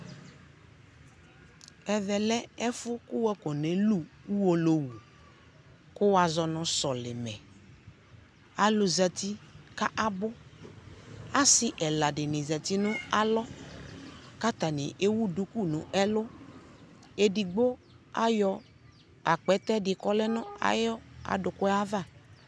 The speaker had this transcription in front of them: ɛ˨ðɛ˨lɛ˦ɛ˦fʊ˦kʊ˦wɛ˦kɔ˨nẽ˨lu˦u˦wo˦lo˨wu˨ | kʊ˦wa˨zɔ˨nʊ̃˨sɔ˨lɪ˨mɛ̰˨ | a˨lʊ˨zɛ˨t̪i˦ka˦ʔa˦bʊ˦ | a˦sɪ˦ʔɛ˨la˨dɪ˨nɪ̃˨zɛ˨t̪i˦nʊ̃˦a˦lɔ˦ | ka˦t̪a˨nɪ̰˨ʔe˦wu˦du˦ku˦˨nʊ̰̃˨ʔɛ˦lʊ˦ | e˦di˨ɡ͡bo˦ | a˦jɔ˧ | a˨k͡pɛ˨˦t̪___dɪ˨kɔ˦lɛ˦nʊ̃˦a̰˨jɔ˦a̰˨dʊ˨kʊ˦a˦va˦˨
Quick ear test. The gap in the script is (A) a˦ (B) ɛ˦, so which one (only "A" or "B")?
B